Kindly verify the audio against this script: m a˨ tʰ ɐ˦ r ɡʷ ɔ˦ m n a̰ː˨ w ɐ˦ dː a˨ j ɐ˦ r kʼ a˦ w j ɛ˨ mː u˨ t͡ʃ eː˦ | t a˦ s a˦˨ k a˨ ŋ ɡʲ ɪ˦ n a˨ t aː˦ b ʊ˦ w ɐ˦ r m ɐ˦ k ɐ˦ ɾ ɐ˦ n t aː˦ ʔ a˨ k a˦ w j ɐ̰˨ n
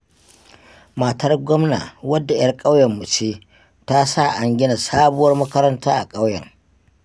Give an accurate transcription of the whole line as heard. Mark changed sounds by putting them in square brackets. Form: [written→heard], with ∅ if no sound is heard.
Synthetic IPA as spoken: m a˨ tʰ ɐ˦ r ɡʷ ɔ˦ m n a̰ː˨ w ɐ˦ dː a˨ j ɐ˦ r kʼ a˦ w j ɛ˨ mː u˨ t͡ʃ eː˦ | t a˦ s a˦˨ [k→ʔ] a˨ ŋ ɡʲ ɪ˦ n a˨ [t→s] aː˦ b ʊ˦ w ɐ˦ r m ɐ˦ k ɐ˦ ɾ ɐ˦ n t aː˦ ʔ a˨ [k→kʼ] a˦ w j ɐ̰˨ [n→ŋ]